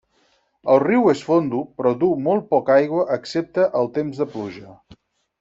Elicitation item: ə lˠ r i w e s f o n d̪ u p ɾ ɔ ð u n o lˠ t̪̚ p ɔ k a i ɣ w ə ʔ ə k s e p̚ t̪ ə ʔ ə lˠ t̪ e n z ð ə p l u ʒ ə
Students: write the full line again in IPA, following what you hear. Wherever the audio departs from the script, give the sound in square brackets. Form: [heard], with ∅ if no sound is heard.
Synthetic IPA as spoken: ə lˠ r i w e s f o n d̪ u p ɾ ɔ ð u [m] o lˠ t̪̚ p ɔ k a [j] ɣ w ə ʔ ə k s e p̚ t̪ ə ʔ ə lˠ t̪ e [m] z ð ə p l u ʒ ə